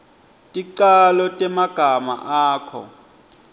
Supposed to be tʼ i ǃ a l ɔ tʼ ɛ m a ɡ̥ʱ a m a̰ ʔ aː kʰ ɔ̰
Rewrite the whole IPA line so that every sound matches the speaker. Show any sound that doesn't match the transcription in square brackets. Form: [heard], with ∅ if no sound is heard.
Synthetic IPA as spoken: tʼ i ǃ a l ɔ tʼ ɛ m a ɡ̥ʱ a m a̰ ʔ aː kʰ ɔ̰